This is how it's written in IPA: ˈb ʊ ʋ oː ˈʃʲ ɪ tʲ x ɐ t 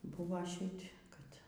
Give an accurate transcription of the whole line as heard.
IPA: ˈb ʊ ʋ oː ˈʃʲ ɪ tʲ k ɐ t